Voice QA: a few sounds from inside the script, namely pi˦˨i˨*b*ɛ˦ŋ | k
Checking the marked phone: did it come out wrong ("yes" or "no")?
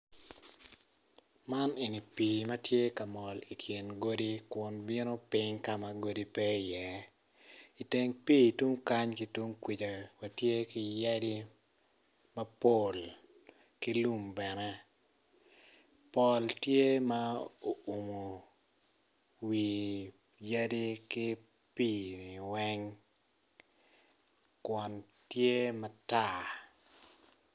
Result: yes